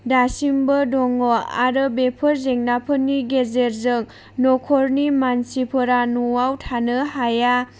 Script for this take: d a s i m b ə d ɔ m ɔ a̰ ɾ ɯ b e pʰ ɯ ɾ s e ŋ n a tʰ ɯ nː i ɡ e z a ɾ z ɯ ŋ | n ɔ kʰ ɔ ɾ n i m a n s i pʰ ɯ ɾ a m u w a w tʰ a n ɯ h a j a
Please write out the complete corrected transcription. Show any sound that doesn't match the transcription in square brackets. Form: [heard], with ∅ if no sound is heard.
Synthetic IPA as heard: d a s i m b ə d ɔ [ŋ] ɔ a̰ ɾ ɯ b e pʰ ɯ ɾ [z] e ŋ n a [pʰ] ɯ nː i ɡ e z [e] ɾ z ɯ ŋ | n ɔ kʰ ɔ ɾ n i m a n s i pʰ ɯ ɾ a [n] u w a w tʰ a n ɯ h a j a